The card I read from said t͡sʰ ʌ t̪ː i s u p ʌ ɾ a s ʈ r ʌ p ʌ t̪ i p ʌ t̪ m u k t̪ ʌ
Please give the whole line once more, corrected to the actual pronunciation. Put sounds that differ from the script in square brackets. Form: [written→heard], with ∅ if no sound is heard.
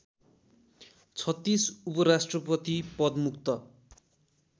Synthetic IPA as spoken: t͡sʰ ʌ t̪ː i s u p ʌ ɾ a s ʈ r ʌ p ʌ t̪ i p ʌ [t̪→d̪] m u k t̪ ʌ